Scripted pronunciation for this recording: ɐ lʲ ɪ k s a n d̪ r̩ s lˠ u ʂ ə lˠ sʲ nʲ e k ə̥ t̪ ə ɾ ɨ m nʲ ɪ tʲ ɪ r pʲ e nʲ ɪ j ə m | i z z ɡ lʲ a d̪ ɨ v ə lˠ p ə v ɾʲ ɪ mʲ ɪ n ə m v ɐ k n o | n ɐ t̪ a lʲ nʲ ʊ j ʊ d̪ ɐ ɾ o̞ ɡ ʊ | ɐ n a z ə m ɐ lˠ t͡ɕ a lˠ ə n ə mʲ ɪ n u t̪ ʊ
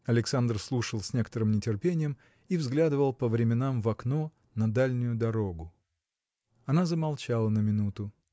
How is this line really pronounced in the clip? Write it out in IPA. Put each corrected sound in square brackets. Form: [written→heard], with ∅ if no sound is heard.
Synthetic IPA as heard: ɐ lʲ ɪ k s a n d̪ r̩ s lˠ u ʂ ə lˠ sʲ nʲ e k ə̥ t̪ ə ɾ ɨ m nʲ ɪ tʲ ɪ r pʲ e nʲ ɪ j ə m | i [z→v] z ɡ lʲ a d̪ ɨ v ə lˠ p ə v ɾʲ ɪ mʲ ɪ n [ə→a] m v ɐ k n o | n ɐ [t̪→d̪] a lʲ nʲ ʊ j ʊ d̪ ɐ ɾ o̞ ɡ ʊ | ɐ n a z ə m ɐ lˠ t͡ɕ a lˠ ə n ə mʲ ɪ n u t̪ ʊ